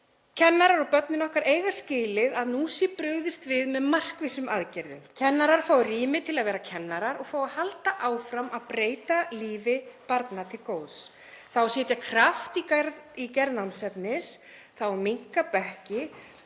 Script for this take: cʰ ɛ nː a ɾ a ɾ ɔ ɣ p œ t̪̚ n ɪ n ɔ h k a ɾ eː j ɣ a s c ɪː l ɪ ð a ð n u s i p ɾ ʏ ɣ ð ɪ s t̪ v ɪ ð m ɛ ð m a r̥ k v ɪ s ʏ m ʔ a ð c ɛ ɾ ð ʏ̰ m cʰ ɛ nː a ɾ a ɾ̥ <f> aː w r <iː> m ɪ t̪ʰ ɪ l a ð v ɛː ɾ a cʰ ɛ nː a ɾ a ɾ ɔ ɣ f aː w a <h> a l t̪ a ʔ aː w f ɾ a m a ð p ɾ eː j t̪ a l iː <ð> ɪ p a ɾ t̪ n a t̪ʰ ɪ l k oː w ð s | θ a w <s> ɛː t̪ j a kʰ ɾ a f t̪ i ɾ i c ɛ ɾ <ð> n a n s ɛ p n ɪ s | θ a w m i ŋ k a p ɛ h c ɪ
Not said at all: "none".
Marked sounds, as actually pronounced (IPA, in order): f, iː, h, v, s, ð

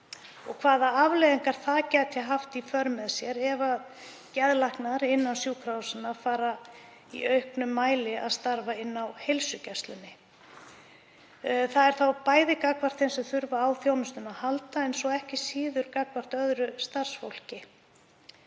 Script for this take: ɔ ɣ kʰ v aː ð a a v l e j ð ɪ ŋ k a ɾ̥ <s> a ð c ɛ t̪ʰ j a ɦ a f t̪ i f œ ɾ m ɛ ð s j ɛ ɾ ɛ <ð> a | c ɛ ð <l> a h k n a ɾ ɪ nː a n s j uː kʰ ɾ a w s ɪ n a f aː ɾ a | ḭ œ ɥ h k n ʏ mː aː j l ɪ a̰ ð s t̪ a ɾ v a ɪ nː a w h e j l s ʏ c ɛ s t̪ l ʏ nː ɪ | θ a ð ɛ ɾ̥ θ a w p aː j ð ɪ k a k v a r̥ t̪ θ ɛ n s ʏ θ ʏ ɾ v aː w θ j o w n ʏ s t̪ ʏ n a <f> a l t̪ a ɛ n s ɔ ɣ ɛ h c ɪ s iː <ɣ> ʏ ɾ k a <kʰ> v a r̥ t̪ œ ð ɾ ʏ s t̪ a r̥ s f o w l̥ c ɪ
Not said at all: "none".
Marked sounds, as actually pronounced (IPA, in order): θ, v, l, h, ð, k

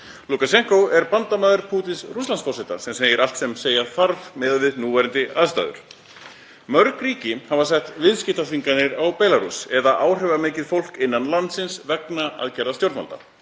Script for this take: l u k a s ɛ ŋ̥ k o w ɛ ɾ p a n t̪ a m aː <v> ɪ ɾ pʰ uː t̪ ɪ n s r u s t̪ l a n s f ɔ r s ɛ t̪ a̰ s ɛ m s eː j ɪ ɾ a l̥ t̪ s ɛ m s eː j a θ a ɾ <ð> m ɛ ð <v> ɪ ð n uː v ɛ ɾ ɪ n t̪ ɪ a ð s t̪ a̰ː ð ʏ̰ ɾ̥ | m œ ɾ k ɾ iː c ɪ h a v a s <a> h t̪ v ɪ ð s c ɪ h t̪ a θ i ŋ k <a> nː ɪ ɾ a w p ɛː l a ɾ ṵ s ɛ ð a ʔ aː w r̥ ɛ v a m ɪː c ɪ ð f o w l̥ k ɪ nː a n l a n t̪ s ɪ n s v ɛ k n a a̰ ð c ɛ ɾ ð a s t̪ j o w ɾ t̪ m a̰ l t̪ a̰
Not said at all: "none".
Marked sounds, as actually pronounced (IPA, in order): ð, v, v, ɛ, a

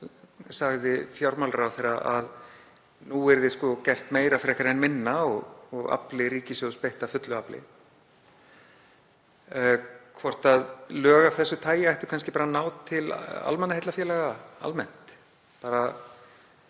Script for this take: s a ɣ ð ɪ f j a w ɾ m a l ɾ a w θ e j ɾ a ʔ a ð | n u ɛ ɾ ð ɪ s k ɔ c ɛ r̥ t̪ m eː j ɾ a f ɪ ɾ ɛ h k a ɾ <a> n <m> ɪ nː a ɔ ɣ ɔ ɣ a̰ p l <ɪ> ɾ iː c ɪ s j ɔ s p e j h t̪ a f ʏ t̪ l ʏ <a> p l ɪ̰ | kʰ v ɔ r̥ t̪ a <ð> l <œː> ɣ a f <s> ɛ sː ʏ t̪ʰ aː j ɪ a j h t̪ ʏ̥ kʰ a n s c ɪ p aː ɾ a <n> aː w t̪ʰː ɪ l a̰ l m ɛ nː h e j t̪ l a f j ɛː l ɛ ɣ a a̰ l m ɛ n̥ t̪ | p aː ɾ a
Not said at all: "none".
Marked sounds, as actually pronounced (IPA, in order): ɛ, m, ɪ, a, ð, œː, θ, n

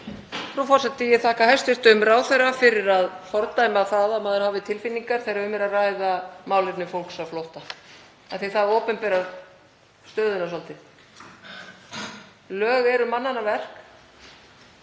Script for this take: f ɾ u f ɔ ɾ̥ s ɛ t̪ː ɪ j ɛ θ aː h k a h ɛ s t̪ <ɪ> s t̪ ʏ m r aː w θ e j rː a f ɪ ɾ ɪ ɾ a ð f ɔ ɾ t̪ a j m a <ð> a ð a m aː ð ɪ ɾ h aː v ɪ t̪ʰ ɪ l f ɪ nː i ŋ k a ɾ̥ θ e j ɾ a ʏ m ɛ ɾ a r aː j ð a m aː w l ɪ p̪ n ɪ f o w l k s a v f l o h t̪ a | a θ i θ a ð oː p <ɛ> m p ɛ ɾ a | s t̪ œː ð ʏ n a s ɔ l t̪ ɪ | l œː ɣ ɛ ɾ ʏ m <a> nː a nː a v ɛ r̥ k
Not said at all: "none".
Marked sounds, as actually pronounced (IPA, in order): ɪ, θ, ɛ, a

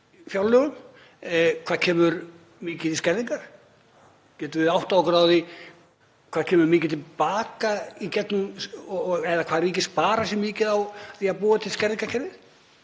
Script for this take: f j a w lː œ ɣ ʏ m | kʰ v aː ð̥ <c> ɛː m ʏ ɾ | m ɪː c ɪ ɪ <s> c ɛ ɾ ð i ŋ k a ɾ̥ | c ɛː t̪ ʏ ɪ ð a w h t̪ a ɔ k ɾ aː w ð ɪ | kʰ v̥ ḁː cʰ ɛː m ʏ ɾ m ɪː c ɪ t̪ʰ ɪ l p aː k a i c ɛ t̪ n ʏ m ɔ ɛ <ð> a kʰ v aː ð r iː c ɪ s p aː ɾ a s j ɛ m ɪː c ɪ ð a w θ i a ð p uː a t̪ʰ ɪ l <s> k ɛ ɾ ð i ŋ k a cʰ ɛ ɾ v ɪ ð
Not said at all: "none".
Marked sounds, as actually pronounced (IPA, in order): cʰ, s, ð, s

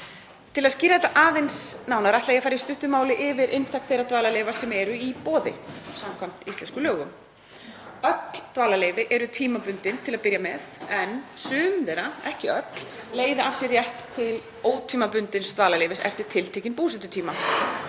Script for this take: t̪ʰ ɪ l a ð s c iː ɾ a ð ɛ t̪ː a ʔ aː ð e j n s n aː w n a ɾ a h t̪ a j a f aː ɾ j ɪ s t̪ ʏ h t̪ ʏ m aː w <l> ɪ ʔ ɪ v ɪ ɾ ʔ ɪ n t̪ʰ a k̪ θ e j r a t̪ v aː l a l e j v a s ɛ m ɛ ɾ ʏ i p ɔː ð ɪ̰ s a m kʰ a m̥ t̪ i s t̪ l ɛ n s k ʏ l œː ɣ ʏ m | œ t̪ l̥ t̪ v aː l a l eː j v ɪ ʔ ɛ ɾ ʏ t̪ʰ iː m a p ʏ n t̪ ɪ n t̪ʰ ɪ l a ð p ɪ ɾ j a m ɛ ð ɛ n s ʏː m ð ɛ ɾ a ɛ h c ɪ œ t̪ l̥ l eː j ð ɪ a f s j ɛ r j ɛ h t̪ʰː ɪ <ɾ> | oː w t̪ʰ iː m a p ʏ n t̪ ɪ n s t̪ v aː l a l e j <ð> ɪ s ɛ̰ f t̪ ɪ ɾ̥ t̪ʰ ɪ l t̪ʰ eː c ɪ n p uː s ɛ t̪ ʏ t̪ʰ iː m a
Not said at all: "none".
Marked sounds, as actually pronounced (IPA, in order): l, l, v

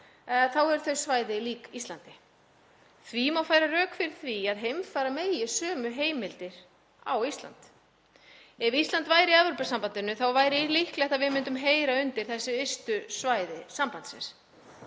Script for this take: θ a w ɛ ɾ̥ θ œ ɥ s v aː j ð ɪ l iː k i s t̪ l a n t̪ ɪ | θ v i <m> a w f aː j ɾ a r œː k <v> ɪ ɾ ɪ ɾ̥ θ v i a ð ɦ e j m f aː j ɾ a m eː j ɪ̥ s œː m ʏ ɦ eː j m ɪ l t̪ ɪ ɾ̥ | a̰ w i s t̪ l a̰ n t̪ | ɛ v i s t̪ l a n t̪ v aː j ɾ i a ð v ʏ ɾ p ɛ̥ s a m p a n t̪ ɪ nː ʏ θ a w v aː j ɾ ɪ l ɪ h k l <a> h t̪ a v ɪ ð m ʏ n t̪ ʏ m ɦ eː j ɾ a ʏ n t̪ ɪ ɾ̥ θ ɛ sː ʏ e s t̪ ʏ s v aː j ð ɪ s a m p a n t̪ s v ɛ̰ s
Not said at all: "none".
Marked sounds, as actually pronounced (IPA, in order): m, f, ɛ

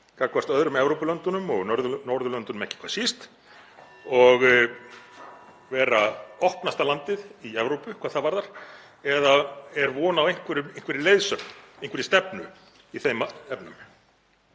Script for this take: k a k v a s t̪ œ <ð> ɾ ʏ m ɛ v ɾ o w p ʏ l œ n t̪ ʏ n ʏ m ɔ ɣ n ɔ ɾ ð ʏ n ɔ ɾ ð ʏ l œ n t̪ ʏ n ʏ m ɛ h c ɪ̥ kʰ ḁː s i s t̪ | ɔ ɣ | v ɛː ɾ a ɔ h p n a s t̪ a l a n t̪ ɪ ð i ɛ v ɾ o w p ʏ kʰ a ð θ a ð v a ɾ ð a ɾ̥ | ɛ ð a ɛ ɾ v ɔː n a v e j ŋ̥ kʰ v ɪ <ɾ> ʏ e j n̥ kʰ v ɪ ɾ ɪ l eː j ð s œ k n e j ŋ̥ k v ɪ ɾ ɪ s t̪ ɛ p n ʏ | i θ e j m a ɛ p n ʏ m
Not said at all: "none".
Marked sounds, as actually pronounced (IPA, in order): ð, ɾ

